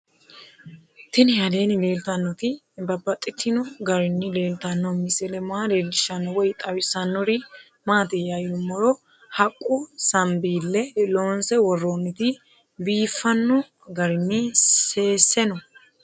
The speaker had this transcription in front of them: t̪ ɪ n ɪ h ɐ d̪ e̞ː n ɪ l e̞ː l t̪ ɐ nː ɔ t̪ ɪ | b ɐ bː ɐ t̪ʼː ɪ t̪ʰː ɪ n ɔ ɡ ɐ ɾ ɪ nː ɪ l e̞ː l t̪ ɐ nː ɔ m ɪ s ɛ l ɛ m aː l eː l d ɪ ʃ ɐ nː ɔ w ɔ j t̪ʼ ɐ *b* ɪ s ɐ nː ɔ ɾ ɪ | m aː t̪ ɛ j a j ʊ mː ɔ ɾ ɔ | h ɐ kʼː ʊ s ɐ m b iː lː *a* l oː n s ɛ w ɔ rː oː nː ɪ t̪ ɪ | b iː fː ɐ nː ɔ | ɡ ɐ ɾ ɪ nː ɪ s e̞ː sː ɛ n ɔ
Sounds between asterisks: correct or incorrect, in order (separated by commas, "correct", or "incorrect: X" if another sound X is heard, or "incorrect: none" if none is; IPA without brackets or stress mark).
incorrect: w, incorrect: ɛ